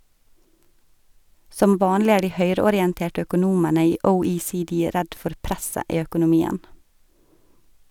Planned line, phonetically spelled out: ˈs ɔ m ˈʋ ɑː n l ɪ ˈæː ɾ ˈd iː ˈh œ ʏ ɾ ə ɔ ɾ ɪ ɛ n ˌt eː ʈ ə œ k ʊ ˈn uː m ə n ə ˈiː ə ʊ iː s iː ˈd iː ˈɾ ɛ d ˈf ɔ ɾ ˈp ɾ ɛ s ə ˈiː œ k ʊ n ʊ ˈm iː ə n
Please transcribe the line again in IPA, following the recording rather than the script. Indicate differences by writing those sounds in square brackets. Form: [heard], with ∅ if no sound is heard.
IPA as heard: ˈs ɔ m ˈʋ ɑː n l ɪ ˈæː ɾ ˈd iː ˈh œ ʏ ɾ ə ɔ ɾ ɪ ɛ n ˌt eː ʈ ə œ k ʊ ˈn uː m ə n ə ˈiː ə ʊ iː s iː ˈd iː ˈɾ ɛ d ˈf ɔ ɾ ˈp ɾ ɛ s ə ˈiː œ k ʊ n ʊ ˈm iː ə n